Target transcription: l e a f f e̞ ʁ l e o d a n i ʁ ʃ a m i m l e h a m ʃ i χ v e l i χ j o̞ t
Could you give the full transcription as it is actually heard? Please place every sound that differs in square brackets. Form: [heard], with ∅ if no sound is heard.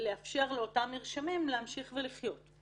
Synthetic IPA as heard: l e a f [ʃ] e̞ ʁ l e o [t] a [m] i ʁ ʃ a m i m l e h a m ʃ i χ v e l i χ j o̞ t